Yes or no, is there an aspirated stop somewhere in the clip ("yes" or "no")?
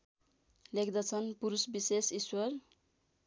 yes